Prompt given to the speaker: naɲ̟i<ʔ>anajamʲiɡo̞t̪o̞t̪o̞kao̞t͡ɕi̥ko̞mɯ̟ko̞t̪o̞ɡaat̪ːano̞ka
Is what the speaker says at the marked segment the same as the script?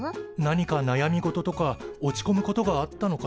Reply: no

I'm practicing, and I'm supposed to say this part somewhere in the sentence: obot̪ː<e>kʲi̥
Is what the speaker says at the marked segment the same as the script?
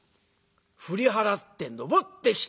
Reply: yes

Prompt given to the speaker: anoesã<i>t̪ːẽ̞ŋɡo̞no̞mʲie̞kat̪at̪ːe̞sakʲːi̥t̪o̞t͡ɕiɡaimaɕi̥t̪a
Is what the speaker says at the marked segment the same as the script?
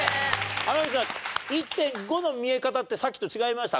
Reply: yes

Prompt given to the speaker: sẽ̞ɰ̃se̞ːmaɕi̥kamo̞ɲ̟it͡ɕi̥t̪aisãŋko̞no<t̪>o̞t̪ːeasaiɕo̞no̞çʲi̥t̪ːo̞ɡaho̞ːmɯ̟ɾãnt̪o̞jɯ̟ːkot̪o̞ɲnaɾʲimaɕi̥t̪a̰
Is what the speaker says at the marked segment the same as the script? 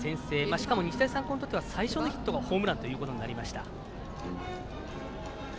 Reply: yes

